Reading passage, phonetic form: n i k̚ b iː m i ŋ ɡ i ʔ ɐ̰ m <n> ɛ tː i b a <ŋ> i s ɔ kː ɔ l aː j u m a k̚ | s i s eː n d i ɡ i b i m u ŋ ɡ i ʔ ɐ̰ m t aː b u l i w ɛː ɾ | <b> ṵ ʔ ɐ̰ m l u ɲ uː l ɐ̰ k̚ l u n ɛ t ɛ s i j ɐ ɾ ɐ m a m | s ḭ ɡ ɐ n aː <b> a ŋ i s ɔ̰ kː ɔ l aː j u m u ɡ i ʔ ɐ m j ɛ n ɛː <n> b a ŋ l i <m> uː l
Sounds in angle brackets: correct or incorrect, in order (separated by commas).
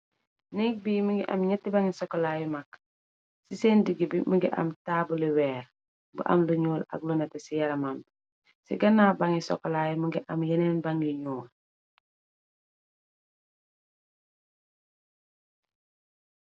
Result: incorrect, correct, correct, correct, correct, incorrect